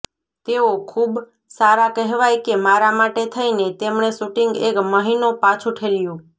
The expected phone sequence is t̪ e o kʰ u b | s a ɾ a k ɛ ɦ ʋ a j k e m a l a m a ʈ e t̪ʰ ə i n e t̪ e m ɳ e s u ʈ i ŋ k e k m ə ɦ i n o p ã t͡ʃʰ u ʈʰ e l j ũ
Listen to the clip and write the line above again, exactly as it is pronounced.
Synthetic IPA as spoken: t̪ e o kʰ u b | s a ɾ a k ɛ ɦ ʋ a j k e m a ɾ a m a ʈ e t̪ʰ ə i n e t̪ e m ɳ e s u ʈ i ŋ ɡ e k m ə ɦ i n o p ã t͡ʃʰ u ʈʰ e l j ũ